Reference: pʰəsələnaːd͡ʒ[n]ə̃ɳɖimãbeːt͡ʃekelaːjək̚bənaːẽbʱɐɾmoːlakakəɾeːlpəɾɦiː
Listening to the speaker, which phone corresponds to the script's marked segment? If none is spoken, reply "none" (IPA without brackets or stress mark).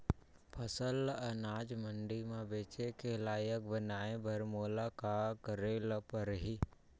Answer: m